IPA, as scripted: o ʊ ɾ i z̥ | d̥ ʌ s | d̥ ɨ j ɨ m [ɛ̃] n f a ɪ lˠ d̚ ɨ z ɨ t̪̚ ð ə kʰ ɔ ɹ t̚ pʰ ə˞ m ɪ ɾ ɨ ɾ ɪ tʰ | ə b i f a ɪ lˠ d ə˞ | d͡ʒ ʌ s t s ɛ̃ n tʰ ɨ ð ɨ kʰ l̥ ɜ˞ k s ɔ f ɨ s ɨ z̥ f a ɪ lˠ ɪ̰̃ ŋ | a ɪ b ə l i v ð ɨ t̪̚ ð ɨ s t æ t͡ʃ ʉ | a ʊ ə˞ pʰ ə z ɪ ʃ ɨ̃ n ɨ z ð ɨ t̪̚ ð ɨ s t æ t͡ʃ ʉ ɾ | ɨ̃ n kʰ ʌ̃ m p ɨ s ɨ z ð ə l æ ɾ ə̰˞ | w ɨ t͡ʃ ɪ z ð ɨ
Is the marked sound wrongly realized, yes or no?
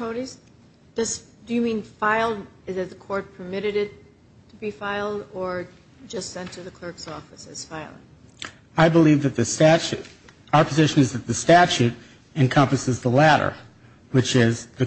yes